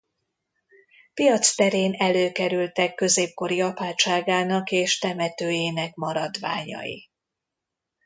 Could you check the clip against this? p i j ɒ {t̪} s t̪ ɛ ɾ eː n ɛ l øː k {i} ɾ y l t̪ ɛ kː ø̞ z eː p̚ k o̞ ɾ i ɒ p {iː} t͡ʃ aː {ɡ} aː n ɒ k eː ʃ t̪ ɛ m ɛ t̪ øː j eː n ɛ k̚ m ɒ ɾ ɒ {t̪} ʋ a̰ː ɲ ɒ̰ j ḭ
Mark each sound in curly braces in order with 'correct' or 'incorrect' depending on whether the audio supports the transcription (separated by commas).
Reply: correct, incorrect, incorrect, correct, incorrect